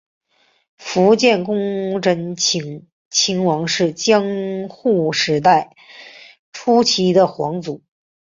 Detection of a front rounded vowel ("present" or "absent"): absent